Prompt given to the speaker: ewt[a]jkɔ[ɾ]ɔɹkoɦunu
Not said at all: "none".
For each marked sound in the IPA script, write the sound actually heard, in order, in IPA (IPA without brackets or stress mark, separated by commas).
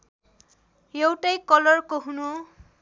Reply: a, l